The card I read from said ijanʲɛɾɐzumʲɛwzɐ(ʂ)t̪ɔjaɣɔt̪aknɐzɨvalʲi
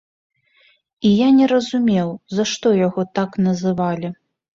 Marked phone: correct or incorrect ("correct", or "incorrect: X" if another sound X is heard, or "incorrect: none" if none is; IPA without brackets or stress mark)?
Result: correct